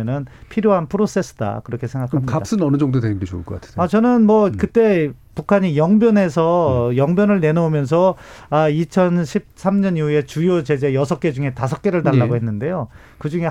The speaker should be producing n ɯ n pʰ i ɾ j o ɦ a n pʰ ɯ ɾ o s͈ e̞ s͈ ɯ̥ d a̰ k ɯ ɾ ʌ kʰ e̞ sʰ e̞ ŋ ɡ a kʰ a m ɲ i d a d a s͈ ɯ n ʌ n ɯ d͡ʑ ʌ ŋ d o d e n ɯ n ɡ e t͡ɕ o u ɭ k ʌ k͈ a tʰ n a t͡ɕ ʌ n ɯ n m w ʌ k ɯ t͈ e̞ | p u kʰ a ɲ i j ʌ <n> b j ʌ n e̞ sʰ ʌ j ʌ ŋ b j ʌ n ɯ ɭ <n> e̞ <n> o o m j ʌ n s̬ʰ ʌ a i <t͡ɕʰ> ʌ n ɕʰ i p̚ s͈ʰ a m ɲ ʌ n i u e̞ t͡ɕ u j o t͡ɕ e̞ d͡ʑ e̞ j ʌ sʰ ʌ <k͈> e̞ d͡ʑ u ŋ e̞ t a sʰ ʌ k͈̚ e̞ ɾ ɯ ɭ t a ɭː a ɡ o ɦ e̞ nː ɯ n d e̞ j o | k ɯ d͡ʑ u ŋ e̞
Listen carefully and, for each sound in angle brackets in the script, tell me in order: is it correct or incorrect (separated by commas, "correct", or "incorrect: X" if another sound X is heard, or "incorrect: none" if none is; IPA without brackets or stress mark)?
incorrect: ŋ, correct, correct, correct, correct